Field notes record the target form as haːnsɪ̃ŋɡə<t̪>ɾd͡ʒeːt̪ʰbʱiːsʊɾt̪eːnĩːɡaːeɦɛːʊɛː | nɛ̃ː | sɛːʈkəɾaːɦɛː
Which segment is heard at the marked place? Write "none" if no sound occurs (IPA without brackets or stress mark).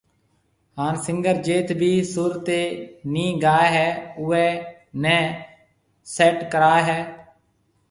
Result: none